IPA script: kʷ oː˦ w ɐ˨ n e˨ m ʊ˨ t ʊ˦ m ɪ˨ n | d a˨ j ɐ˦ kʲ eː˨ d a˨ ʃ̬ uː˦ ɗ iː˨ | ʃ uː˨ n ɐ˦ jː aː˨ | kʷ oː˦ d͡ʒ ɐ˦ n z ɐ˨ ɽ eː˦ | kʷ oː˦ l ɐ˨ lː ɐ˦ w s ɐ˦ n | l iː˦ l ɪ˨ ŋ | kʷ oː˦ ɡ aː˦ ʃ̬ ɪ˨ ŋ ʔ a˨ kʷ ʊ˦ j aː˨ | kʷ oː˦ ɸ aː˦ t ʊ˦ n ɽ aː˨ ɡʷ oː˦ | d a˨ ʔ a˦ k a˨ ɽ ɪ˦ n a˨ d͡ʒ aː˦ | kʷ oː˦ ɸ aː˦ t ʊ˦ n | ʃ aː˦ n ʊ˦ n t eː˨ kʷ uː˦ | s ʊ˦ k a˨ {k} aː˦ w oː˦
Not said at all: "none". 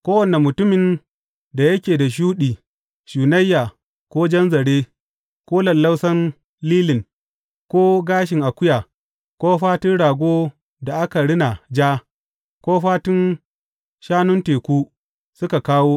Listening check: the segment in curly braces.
k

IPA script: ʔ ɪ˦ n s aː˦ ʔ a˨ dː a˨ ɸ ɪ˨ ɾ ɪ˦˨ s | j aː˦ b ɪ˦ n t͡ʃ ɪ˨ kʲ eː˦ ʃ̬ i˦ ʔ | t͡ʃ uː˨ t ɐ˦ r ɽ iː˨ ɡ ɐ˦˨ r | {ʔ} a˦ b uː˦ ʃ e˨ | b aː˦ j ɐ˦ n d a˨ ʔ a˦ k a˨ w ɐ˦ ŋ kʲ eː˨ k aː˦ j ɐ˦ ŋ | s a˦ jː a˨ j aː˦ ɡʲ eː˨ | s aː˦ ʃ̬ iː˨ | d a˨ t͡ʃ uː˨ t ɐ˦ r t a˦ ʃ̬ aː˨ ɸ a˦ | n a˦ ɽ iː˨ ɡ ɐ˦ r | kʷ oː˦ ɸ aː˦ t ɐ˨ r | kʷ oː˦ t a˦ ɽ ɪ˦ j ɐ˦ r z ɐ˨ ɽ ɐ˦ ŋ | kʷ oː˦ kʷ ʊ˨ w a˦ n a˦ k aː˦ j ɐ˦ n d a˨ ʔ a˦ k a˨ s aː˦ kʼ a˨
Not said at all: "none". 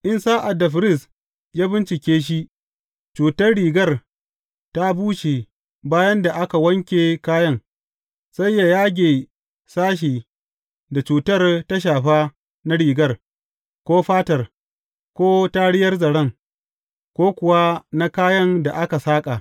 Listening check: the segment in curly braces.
t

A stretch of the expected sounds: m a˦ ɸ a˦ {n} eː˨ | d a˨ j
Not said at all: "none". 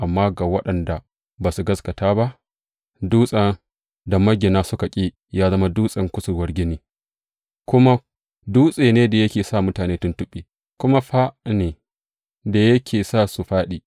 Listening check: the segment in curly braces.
n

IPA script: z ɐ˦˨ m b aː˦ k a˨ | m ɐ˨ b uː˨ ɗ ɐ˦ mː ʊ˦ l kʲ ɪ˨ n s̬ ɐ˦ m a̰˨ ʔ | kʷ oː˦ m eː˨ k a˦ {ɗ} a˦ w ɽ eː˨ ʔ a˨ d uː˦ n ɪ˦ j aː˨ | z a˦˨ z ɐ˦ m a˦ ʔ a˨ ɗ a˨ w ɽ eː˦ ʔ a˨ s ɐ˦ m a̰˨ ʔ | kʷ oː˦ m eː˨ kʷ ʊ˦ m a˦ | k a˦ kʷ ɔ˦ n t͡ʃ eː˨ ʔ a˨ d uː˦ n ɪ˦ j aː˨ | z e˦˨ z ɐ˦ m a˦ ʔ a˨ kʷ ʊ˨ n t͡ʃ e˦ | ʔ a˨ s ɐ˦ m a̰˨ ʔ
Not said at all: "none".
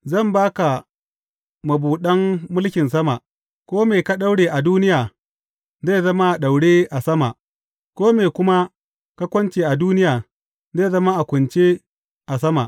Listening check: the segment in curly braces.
ɗ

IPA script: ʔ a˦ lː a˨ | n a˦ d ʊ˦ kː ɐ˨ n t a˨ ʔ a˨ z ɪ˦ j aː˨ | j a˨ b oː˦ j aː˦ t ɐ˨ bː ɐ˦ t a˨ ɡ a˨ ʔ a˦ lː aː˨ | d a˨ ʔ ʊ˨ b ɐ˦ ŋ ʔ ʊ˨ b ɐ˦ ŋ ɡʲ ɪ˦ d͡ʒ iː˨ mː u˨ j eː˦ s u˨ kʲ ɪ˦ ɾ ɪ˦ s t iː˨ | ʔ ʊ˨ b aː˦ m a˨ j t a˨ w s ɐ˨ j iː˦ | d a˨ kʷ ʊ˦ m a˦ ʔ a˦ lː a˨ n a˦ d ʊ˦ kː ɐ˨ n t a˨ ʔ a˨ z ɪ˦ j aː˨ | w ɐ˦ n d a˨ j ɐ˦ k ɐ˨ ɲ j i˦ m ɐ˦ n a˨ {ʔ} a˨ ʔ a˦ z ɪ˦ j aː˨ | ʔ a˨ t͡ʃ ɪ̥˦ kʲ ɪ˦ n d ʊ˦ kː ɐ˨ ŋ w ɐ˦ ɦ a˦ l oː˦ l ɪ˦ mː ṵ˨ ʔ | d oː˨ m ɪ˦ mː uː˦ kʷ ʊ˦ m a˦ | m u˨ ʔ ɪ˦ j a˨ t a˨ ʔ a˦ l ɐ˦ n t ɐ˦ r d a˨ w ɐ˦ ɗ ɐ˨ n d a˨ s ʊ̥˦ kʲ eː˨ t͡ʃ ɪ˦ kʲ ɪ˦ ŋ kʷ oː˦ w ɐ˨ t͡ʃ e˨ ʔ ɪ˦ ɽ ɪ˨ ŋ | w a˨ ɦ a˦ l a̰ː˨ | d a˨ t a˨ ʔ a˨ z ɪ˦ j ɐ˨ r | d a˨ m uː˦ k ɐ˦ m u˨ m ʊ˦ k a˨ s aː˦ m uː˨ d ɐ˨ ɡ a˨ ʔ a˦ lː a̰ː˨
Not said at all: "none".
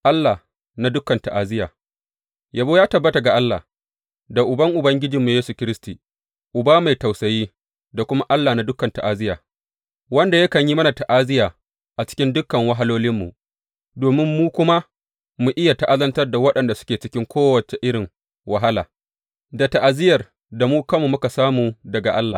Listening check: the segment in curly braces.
t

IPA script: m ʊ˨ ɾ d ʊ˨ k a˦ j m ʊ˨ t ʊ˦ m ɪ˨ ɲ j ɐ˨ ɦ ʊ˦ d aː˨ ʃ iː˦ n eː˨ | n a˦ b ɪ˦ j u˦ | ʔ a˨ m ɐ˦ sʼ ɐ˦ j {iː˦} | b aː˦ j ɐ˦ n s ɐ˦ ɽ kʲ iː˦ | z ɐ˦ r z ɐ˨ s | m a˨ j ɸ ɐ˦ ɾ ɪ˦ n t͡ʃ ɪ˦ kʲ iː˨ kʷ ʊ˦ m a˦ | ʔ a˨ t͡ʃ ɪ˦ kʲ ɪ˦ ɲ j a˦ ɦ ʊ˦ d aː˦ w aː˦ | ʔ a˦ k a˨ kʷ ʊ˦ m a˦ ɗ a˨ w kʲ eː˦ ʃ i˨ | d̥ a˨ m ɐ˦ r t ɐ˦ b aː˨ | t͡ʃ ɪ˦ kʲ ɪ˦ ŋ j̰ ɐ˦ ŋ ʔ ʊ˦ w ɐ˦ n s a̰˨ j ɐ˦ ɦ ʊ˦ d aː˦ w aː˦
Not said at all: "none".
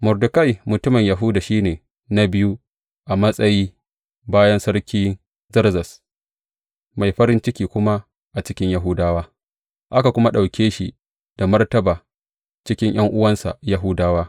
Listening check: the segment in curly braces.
iː˦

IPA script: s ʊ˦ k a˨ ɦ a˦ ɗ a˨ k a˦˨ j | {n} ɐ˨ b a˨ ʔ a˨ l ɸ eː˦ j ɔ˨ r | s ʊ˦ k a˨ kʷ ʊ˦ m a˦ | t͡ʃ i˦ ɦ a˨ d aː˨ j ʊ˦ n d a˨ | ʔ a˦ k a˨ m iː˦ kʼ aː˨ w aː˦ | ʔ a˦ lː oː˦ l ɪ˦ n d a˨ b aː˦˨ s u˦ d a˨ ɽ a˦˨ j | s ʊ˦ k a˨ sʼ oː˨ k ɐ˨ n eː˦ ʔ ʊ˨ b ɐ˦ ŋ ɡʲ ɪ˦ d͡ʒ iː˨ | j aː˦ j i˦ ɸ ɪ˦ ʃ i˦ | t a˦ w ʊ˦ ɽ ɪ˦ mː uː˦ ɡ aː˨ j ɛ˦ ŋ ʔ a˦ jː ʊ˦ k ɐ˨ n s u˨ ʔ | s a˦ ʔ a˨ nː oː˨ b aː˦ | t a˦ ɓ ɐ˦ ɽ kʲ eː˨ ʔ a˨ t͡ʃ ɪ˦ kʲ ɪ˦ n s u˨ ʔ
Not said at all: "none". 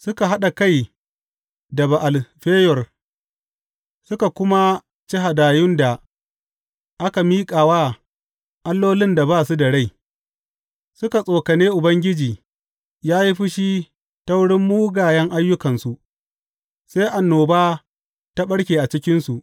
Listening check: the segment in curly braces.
d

